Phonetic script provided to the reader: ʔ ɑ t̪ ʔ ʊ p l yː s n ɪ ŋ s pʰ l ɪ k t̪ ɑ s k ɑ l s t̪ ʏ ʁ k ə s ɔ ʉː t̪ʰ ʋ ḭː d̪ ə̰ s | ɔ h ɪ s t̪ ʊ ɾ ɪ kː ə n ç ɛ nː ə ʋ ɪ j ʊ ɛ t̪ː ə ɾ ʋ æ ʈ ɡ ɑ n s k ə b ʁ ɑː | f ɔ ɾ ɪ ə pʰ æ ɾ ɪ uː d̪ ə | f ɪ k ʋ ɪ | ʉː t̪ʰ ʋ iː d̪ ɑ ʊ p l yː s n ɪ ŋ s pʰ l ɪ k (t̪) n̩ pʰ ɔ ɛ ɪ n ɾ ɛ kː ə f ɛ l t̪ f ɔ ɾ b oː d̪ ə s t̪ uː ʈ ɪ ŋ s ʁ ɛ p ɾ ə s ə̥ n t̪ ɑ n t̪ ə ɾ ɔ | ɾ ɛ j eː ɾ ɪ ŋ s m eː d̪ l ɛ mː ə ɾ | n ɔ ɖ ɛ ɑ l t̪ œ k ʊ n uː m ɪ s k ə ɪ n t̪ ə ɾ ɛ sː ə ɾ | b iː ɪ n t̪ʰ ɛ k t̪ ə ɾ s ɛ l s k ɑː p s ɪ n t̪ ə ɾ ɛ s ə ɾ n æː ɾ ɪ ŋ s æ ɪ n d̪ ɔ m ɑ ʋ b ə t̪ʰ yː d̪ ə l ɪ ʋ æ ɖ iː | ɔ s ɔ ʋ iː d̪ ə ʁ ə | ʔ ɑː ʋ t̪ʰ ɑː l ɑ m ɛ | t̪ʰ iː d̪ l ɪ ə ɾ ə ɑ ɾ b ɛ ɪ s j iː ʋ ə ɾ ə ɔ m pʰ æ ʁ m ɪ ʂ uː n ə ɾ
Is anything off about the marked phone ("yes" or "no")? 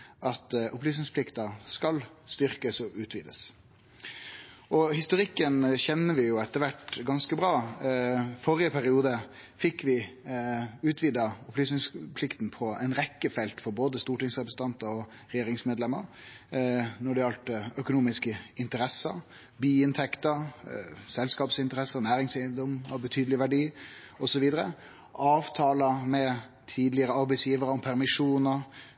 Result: no